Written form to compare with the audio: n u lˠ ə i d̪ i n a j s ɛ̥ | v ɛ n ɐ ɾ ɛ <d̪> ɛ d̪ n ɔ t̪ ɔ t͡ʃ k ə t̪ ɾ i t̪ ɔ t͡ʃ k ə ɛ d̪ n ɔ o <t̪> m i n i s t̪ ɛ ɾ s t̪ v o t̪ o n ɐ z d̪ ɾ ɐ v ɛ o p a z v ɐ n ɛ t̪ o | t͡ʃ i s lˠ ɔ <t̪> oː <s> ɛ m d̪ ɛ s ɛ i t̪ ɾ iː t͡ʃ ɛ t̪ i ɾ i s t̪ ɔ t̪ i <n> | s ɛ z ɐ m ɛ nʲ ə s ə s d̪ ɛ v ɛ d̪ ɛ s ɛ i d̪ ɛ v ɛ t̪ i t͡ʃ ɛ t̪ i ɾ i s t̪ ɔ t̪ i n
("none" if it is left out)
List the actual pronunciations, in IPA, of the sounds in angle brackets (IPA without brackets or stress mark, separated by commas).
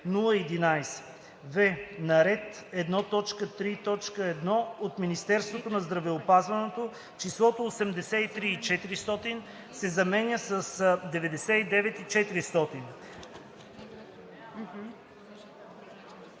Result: t̪, t̪, t̪, s, n